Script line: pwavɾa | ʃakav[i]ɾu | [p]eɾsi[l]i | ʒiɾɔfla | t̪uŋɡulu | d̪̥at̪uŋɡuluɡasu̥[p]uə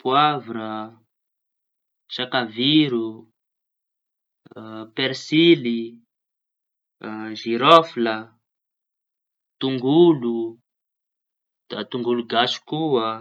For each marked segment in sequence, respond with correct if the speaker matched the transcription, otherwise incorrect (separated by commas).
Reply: correct, correct, correct, incorrect